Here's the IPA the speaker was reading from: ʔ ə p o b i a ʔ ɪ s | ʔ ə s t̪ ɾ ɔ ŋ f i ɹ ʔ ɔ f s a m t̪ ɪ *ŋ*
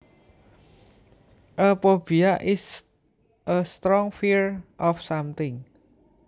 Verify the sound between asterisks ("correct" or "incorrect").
correct